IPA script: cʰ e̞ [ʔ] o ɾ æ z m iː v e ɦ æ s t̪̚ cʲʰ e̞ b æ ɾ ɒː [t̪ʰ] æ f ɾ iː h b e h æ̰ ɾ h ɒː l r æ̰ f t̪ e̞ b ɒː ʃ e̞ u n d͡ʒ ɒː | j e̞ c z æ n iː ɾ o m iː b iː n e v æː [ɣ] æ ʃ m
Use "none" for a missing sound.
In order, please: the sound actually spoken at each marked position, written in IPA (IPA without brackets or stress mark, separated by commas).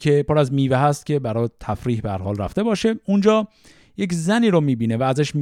p, t̪ʰ, z